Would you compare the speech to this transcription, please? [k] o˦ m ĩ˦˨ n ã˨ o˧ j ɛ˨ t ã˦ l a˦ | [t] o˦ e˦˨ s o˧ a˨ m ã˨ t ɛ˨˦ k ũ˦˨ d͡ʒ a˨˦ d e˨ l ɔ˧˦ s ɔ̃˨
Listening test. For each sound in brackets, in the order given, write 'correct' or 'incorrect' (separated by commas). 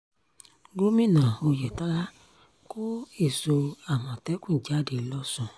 incorrect, incorrect